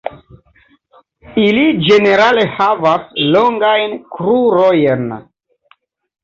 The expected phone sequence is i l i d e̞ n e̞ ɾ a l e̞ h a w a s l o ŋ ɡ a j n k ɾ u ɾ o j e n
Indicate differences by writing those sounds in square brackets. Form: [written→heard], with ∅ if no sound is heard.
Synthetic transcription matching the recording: i l i [d→d͡ʒ] e̞ n e̞ ɾ a l e̞ h a [w→v] a s l o ŋ ɡ a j n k ɾ u ɾ o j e n